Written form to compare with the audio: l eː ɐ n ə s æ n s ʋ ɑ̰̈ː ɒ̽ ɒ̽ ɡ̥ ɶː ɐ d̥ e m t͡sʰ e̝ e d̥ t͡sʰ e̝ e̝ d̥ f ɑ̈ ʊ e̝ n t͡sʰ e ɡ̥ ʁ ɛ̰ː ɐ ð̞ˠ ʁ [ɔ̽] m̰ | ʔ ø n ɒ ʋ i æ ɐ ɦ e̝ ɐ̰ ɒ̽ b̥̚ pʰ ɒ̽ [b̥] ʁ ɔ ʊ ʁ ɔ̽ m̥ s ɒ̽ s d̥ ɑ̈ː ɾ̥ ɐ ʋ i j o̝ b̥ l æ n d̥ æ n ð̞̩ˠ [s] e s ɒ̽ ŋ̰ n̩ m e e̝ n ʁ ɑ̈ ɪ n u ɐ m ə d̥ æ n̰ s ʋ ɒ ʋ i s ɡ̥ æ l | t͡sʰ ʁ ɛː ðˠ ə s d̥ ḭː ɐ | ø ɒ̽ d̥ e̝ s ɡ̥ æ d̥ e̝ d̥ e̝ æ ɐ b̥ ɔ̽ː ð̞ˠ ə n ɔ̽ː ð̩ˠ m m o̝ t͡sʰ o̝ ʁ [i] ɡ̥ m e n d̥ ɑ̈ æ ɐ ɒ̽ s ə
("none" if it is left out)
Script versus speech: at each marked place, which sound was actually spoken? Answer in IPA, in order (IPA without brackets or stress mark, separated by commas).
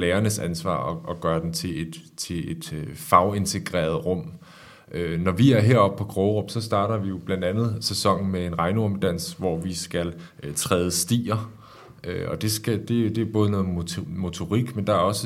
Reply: ɔ̽, ɡ̥, s, i